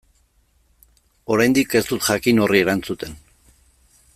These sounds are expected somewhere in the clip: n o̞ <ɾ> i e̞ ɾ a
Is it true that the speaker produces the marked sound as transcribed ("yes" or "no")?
no